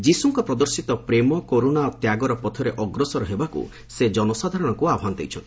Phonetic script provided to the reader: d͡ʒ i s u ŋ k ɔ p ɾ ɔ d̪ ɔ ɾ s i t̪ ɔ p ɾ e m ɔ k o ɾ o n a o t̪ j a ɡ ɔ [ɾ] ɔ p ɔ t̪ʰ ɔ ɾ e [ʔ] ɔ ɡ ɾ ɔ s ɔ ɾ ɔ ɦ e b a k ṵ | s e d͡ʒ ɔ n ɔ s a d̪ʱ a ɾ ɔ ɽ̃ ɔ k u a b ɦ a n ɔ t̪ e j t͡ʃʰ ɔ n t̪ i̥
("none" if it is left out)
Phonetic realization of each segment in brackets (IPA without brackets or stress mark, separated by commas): ɾ, ʔ